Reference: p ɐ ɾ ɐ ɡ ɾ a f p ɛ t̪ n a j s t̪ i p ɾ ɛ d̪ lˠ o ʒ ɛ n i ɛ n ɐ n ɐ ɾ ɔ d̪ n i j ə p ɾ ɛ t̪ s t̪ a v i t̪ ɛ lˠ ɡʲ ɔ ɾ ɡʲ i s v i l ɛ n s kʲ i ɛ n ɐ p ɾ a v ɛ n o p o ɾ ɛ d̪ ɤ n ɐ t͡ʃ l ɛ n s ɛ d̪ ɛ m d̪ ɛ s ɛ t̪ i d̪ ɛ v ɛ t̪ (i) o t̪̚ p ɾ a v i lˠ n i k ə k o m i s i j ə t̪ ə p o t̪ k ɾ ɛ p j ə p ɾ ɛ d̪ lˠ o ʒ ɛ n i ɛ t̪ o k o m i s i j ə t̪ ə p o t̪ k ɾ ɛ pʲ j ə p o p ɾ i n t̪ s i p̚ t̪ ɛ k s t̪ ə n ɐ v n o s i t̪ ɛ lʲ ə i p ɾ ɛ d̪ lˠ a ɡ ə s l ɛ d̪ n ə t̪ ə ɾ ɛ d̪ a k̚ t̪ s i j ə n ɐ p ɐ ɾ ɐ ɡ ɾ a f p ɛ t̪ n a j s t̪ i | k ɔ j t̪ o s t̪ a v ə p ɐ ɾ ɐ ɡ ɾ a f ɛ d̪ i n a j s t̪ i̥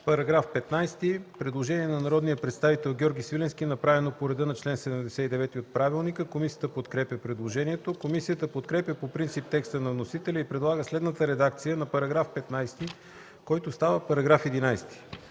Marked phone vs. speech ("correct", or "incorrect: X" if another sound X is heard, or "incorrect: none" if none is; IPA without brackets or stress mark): correct